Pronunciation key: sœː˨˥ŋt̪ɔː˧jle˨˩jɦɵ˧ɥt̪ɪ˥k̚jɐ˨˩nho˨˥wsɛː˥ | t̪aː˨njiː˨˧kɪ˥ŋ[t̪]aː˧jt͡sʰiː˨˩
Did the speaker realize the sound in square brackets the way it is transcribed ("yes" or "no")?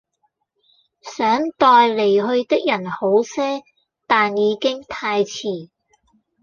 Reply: no